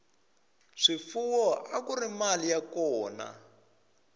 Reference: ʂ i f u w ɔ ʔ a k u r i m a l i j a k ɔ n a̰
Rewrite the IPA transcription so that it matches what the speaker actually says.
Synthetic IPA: ʂ i f u w ɔ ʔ a k u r i m a l i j a k ɔː n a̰